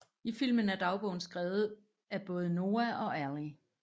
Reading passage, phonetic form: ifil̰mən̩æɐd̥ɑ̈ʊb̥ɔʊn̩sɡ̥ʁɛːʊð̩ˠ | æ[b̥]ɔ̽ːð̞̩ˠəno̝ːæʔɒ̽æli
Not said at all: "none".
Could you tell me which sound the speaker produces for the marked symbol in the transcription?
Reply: b̥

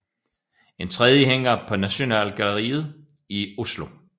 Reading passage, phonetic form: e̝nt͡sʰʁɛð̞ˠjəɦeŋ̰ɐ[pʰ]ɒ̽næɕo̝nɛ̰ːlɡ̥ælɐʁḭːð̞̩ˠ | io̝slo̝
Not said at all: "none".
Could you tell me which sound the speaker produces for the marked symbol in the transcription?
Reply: pʰ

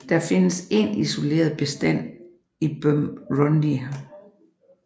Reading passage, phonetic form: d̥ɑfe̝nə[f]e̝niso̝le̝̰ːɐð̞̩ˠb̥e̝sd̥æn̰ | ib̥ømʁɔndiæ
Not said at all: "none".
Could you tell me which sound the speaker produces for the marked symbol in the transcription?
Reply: s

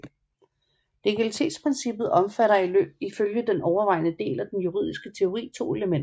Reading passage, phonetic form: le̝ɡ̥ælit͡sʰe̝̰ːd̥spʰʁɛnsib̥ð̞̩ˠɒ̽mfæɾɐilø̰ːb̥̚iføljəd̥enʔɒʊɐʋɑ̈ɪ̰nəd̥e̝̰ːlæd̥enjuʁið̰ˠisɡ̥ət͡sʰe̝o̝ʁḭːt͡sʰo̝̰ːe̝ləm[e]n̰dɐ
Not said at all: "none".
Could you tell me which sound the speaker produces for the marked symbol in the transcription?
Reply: e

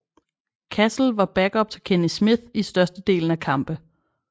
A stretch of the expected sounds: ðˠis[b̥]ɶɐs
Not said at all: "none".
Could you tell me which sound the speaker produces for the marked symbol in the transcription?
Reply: d̥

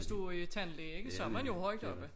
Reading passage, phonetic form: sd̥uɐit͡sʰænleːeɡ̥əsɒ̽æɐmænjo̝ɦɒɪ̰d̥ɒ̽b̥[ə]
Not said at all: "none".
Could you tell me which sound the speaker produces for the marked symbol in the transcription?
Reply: ə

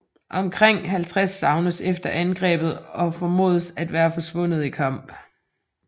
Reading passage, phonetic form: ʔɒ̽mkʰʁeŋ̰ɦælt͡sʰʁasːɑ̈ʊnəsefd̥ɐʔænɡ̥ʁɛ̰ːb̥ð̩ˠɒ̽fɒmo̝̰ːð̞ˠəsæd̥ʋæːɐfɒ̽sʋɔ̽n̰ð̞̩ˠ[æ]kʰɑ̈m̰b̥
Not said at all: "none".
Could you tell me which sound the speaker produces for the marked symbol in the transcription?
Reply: i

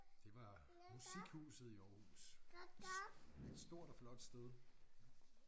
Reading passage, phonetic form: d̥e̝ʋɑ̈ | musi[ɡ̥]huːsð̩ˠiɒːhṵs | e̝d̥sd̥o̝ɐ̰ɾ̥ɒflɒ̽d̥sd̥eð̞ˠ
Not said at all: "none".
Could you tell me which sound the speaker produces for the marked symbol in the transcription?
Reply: ɡ̥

